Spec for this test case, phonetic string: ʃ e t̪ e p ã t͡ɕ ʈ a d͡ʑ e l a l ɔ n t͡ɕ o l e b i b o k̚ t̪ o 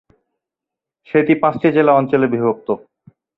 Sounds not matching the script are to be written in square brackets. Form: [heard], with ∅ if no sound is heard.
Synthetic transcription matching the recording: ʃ e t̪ [i] p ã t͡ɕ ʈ [i] d͡ʑ e l a [∅] ɔ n t͡ɕ o l e b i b o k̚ t̪ o